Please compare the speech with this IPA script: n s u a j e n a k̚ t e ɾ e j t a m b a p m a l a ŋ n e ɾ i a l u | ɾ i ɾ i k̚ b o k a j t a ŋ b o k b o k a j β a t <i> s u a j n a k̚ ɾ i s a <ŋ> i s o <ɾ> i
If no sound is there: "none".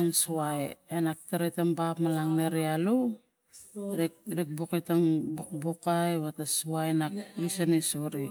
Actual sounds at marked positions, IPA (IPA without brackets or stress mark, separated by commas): a, n, ɾ